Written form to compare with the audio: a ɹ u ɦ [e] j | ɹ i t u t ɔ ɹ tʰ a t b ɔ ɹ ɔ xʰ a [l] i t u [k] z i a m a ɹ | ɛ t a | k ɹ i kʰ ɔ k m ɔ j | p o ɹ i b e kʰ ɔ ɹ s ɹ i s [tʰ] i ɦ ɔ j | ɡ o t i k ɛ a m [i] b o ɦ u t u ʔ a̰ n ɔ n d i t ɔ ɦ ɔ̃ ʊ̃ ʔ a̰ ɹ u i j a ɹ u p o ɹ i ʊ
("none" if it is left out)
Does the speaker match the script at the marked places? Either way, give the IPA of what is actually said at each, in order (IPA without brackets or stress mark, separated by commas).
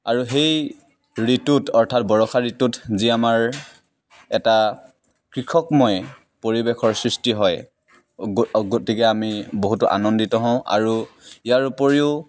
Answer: e, ɹ, t, t, i